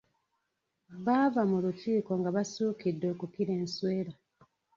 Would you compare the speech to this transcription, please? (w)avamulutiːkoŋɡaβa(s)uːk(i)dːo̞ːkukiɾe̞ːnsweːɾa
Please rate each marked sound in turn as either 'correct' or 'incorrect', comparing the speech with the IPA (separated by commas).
incorrect, correct, correct